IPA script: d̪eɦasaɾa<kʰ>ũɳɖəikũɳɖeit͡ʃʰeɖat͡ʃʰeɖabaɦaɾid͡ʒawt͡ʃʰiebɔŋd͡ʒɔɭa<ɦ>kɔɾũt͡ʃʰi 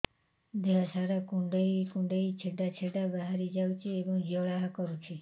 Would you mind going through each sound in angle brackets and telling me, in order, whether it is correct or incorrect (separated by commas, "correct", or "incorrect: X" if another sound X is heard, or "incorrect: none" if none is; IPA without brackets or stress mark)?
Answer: incorrect: k, correct